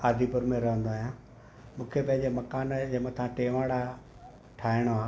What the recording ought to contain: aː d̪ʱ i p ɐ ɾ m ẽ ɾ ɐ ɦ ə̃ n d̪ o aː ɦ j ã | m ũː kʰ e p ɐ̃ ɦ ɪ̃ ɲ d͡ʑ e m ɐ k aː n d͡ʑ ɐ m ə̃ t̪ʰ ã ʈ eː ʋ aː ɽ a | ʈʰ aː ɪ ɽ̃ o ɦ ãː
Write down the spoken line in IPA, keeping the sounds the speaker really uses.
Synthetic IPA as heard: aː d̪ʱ i p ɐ ɾ m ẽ ɾ ɐ ɦ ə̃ n d̪ o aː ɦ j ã | m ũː kʰ e p ɐ̃ ɦ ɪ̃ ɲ d͡ʑ e m ɐ k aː n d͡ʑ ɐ m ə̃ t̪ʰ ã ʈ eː ʋ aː ɽ a | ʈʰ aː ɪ ɽ̃ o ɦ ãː